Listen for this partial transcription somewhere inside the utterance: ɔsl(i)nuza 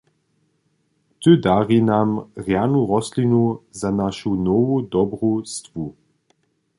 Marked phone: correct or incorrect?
correct